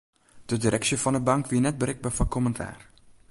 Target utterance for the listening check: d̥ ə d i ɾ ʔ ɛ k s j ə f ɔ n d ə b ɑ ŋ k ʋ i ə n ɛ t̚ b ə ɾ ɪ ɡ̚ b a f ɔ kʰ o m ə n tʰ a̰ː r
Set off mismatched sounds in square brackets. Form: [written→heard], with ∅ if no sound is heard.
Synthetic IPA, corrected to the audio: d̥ ə d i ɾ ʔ ɛ k s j ə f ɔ n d ə b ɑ ŋ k ʋ i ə n ɛ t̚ b ə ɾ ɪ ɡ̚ b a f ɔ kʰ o m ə n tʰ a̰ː r

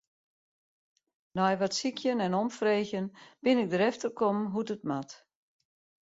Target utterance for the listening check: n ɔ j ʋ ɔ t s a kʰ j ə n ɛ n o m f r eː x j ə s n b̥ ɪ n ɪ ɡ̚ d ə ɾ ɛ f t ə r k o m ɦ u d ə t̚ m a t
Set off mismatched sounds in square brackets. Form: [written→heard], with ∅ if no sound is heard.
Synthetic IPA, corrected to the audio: n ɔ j ʋ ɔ t s [a→i] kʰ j ə n ɛ n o m f r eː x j ə [s→∅] n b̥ ɪ n ɪ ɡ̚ d ə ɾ ɛ f t ə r k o m ɦ u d ə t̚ m a t

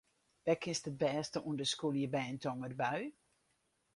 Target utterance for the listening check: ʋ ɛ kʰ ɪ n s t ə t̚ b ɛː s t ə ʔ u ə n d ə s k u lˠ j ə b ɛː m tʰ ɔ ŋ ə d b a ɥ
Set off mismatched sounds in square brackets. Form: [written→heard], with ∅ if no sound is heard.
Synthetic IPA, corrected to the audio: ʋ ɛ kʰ ɪ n s t ə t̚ b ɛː s t ə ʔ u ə n d ə s k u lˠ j ə b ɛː [m→n] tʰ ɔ ŋ ə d b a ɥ

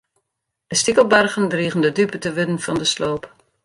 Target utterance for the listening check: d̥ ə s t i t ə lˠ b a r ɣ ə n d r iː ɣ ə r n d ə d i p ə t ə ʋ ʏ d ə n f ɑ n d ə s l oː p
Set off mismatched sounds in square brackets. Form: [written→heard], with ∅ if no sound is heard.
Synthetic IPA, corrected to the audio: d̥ ə s t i [t→k] ə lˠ b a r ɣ ə n d r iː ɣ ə [r→∅] n d ə d [i→y] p ə t ə ʋ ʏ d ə n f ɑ n d ə s l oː p

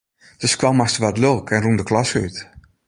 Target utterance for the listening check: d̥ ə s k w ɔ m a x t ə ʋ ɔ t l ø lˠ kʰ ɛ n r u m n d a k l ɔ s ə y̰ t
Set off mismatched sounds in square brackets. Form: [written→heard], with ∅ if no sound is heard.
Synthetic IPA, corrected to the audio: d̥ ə s k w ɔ m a [x→s] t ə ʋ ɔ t l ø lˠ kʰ ɛ n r u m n d [a→ə] k l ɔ s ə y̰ t

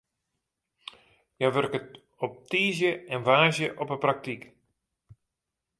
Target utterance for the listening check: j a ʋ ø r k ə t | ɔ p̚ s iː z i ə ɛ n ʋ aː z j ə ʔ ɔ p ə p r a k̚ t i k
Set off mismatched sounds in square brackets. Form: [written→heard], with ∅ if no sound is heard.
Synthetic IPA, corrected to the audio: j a ʋ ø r k ə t | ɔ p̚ [s→t] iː z [i→j] ə ɛ n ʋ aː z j ə ʔ ɔ p ə p r a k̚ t i k

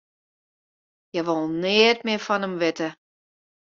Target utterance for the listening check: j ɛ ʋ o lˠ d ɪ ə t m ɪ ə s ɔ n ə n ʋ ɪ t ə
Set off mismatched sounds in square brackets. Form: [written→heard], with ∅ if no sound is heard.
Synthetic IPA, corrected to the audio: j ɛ ʋ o lˠ [d→n] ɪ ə t m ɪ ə [s→f] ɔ n ə [n→m] ʋ ɪ t ə

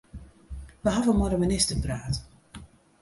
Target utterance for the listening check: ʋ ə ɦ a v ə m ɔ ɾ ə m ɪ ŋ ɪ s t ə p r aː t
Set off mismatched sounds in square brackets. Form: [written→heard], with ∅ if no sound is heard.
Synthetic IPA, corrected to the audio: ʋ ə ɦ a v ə m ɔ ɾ ə m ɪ [ŋ→n] ɪ s t ə p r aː t

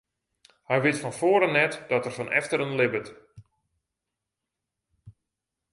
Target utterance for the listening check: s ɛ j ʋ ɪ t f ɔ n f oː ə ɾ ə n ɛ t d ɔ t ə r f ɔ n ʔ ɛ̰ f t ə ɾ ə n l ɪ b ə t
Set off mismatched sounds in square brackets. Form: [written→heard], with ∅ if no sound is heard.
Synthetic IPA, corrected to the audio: [s→h] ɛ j ʋ ɪ t f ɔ n f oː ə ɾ ə n ɛ t d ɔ t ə r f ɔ n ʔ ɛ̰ f t ə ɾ ə n l ɪ b ə t

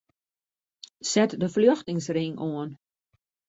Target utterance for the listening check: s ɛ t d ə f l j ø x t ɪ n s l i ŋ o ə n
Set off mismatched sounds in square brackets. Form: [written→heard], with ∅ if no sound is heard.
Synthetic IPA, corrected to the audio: s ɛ t d ə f l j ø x t ɪ [n→ŋ] s [l→r] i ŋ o ə n

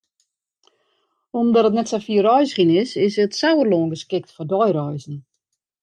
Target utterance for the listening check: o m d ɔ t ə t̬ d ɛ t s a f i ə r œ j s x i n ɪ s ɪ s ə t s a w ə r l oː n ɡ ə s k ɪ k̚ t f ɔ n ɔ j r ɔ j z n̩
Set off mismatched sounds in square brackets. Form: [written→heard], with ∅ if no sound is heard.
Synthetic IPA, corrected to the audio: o m d ɔ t ə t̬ [d→n] ɛ t s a f i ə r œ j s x i n ɪ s ɪ s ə t s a w ə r l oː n ɡ ə s k ɪ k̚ t f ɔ [n→d] ɔ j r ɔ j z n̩

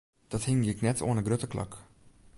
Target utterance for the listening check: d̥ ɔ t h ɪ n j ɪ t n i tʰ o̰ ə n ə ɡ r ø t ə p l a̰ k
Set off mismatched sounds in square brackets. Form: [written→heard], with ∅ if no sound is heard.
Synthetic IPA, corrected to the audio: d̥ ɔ t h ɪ [n→ŋ] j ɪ [t→k] n [i→ɛ] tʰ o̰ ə n ə ɡ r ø t ə [p→k] l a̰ k

